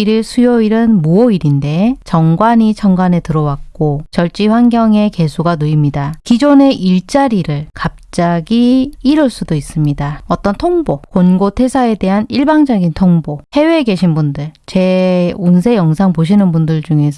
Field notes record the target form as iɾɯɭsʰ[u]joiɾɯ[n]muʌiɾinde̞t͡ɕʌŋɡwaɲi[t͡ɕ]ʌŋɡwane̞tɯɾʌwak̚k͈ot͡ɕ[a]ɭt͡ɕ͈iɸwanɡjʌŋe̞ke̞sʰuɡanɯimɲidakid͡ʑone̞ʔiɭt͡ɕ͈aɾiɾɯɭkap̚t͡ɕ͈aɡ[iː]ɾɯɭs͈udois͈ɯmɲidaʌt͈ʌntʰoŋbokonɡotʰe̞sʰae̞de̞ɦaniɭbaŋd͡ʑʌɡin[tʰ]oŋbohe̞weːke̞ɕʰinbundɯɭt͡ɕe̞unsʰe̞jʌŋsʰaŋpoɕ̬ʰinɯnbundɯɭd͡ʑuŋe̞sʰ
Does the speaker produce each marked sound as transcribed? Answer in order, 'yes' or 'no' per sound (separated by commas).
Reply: yes, yes, no, no, yes, yes